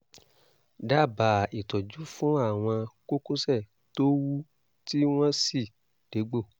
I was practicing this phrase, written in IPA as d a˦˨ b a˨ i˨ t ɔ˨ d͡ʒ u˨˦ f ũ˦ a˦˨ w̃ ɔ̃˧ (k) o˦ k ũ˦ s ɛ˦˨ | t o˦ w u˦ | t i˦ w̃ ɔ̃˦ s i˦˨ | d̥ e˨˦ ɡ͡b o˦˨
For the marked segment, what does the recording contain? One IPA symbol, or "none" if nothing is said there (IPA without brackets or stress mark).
k